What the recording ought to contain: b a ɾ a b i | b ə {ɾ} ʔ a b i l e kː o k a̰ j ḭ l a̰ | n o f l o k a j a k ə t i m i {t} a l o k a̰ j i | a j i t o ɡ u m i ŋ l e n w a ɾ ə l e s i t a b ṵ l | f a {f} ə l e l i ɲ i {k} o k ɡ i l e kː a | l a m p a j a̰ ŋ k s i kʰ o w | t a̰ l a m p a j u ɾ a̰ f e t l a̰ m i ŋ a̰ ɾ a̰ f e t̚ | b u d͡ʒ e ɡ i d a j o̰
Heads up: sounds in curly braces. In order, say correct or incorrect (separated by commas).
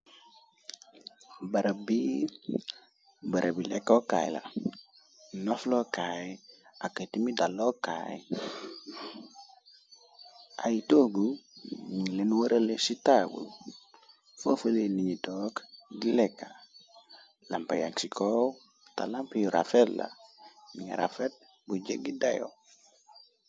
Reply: correct, incorrect, correct, incorrect